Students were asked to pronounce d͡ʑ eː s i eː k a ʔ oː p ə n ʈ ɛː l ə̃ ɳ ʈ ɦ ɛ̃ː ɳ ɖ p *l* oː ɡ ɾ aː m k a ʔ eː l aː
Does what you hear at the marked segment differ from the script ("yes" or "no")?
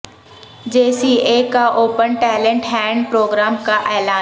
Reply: yes